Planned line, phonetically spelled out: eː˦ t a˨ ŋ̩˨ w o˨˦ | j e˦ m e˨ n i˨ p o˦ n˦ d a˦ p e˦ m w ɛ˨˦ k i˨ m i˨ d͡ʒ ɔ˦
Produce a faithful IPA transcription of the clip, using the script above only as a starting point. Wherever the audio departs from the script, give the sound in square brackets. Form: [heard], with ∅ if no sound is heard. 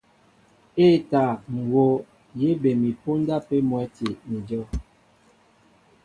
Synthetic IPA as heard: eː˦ t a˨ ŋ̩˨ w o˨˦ | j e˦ [b] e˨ [m] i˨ p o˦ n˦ d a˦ p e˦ m w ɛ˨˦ [t] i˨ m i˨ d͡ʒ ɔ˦